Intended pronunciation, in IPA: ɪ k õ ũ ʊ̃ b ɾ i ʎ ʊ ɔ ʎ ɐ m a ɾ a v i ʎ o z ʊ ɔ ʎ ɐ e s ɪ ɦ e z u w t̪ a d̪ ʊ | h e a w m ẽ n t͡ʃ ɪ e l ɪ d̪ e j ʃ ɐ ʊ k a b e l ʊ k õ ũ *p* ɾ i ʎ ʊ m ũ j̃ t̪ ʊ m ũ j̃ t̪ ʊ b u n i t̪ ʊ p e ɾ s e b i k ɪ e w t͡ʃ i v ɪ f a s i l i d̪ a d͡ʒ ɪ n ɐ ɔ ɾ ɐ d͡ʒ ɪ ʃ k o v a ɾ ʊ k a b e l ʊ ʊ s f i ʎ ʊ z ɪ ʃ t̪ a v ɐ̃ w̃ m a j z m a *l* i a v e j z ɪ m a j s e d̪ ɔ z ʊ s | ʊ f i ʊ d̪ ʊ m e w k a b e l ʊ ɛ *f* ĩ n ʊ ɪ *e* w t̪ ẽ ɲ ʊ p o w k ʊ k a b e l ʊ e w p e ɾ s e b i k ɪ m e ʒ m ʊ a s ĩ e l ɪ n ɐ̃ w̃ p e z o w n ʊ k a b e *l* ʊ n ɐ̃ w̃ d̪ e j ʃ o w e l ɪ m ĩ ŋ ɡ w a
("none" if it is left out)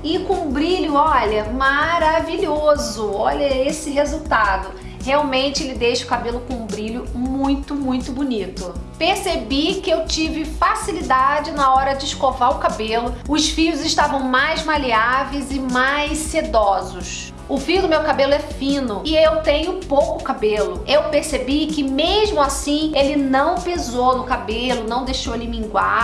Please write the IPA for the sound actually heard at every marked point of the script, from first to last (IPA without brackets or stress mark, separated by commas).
b, l, f, e, l